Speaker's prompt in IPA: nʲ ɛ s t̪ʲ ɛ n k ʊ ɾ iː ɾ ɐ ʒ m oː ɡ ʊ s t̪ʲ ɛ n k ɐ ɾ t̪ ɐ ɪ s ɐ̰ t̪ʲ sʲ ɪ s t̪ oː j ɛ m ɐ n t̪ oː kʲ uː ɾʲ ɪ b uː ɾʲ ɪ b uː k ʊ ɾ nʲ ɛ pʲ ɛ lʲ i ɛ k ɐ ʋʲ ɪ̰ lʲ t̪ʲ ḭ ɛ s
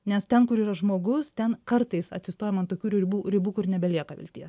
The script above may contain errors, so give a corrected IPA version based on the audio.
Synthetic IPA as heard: nʲ ɛ s t̪ʲ ɛ n k ʊ ɾ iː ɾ ɐ ʒ m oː ɡ ʊ s t̪ʲ ɛ n k ɐ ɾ t̪ ɐ ɪ s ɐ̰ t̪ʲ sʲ ɪ s t̪ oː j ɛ m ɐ n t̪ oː kʲ uː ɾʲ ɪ b uː ɾʲ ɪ b uː k ʊ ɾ nʲ ɛ bʲ ɛ lʲ i ɛ k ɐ ʋʲ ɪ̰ lʲ t̪ʲ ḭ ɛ s